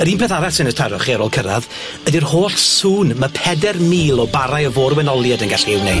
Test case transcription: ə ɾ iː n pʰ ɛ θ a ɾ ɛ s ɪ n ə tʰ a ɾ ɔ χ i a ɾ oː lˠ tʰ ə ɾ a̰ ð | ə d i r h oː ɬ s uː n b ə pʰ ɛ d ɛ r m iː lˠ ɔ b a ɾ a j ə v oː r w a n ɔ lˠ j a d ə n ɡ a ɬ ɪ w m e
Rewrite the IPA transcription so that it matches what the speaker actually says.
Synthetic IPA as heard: ə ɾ iː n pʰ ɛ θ a ɾ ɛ s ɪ n ə tʰ a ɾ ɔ χ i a ɾ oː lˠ kʰ ə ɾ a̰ ð | ə d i r h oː ɬ s uː n m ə pʰ ɛ d ɛ r m iː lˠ ɔ b a ɾ a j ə v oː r w ɛ n ɔ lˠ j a d ə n ɡ a ɬ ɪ w n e